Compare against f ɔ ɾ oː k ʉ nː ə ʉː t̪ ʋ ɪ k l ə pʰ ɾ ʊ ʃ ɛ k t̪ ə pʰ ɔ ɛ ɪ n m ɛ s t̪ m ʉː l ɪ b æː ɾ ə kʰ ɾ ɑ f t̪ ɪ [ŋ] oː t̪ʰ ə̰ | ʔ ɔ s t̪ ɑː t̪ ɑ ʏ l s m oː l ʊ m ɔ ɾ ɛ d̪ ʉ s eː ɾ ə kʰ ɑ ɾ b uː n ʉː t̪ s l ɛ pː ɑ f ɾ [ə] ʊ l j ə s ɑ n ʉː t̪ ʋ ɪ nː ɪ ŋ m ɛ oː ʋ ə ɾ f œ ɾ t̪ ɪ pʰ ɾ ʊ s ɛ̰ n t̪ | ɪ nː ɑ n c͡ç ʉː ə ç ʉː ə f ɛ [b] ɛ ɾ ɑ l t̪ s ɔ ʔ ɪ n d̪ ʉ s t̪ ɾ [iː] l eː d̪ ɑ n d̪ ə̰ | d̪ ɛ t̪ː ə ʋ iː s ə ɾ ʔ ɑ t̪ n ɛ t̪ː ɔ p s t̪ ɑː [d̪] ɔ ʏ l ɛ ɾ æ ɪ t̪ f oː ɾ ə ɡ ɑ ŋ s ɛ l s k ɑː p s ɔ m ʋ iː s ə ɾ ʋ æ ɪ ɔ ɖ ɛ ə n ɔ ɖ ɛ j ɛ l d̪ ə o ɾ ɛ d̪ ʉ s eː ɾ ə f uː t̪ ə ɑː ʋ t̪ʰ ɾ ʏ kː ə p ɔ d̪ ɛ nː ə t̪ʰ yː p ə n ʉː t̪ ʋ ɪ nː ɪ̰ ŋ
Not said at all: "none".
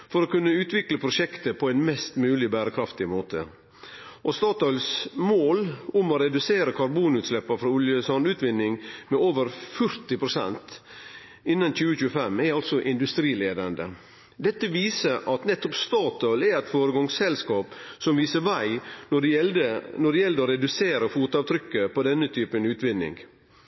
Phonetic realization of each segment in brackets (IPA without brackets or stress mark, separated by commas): m, ɑ, m, iː, t̪